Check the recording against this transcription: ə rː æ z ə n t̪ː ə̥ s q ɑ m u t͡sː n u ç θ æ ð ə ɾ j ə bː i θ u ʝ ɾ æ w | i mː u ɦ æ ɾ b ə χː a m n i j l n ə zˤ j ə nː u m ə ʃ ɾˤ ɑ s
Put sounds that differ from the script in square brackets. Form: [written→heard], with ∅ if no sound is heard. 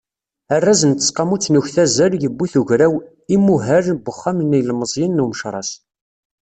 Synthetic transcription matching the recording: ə rː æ z ə n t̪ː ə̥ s q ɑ m u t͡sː n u ç θ æ [ð→z] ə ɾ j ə bː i θ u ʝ ɾ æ w | i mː u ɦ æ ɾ b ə χː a m n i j l [n→m] ə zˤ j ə nː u m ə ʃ ɾˤ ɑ s